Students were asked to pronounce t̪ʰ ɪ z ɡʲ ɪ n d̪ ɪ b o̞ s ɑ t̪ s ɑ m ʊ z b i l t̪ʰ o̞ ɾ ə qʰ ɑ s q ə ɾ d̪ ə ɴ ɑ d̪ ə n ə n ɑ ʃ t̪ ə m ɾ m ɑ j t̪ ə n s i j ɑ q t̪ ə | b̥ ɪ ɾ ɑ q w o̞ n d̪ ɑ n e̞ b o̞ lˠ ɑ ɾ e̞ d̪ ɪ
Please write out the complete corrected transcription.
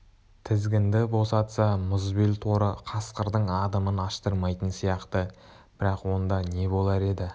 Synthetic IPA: t̪ʰ ɪ z ɡʲ ɪ n d̪ ɪ b o̞ s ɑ t̪ s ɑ m ʊ z b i l t̪ʰ o̞ ɾ ə qʰ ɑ s q ə ɾ d̪ ə ɴ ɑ d̪ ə m ə n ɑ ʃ t̪ ə ɾ m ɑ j t̪ ə n s i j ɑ q t̪ ə | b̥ ɪ ɾ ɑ q w o̞ n d̪ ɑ n e̞ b o̞ lˠ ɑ ɾ e̞ d̪ ɪ